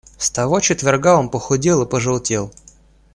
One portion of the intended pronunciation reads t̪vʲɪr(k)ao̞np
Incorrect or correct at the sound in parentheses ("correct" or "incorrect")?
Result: incorrect